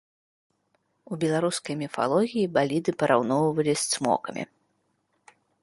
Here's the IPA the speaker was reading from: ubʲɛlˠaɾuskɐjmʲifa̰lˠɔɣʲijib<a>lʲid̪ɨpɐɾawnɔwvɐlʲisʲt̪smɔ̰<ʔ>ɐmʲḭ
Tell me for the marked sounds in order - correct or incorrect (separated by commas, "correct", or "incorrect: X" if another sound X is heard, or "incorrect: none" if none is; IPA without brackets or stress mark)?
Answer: correct, incorrect: k